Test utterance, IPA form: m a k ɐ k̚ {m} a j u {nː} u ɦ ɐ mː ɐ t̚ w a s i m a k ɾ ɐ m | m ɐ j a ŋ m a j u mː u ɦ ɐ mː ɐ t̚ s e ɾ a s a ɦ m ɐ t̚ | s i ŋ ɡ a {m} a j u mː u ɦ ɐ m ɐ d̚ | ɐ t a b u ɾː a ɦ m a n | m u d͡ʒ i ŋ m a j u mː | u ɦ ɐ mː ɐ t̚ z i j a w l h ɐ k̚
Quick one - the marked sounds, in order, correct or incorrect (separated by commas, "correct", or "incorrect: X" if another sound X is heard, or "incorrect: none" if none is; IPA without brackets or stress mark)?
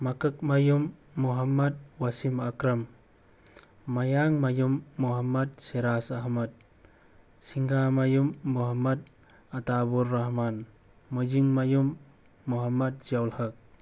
correct, incorrect: mː, correct